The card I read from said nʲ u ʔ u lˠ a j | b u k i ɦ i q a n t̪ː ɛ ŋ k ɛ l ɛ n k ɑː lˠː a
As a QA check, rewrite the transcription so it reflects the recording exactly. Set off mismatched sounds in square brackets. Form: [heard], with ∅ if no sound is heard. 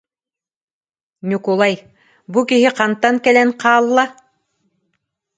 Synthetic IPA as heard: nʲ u [k] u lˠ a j | b u k i ɦ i q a n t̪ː [a] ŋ k ɛ l ɛ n [q] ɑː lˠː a